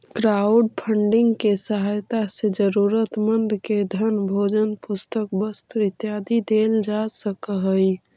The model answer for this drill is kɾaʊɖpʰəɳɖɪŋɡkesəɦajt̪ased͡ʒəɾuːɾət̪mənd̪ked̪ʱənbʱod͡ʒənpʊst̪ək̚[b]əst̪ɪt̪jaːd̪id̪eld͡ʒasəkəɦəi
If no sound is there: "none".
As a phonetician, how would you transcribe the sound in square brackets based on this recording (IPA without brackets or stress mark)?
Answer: b